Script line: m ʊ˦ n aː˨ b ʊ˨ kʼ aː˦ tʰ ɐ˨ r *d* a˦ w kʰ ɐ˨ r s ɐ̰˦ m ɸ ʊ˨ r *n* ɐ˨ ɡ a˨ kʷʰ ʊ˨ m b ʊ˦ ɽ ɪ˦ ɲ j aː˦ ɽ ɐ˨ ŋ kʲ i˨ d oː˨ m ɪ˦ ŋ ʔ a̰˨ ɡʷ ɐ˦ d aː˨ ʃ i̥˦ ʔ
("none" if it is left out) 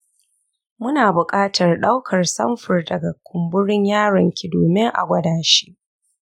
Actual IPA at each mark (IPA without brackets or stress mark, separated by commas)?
ɗ, d